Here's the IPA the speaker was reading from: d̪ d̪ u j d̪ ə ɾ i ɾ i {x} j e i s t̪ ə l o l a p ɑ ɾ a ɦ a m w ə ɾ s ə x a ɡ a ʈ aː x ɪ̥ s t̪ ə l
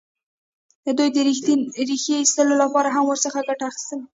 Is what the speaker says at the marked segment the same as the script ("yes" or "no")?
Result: yes